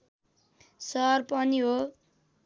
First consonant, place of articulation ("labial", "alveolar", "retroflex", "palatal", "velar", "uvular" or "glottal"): alveolar